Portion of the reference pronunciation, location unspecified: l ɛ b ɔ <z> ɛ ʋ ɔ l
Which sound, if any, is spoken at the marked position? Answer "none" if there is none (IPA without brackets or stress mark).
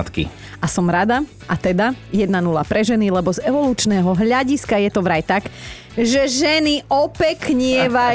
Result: z